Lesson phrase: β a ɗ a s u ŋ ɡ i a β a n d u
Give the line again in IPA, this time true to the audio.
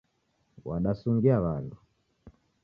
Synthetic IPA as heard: w a ɗ a s u ŋ ɡ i a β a n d u